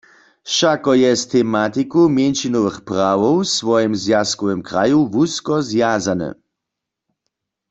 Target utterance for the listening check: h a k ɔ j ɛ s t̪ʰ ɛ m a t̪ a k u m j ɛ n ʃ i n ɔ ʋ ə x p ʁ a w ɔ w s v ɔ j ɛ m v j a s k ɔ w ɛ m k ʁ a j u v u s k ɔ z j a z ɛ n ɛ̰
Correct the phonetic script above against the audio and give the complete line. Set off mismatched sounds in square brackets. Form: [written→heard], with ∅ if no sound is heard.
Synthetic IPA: [h→ʃ] a k ɔ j ɛ s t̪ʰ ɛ m a t̪ [a→i] k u m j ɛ n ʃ i n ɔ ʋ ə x p ʁ a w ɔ w s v ɔ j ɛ m [v→z] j a s k ɔ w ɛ m k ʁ a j u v u s k ɔ z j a z [ɛ→a] n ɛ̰